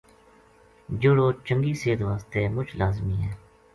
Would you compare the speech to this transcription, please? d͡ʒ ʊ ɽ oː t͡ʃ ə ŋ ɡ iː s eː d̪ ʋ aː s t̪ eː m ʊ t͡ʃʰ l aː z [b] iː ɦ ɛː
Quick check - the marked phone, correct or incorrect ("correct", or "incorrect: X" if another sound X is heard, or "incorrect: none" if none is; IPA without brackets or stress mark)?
incorrect: m